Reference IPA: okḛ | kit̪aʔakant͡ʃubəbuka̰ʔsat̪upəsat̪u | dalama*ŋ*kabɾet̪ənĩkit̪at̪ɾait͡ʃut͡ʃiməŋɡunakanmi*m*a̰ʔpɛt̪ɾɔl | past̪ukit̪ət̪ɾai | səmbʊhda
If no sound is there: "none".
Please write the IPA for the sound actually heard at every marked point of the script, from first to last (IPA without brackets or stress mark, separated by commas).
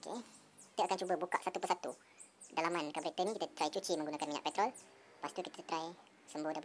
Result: n, ɲ